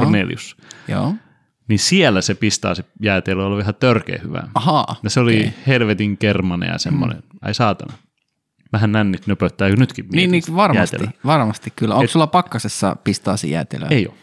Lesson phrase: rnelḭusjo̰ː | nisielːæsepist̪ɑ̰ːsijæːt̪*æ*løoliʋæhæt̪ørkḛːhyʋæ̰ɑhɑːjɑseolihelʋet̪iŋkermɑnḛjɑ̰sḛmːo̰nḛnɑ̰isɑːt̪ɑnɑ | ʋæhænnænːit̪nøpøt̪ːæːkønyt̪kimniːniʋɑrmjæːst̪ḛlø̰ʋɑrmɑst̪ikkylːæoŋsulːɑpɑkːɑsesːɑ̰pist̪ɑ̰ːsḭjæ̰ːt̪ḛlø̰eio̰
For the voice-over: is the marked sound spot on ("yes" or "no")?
no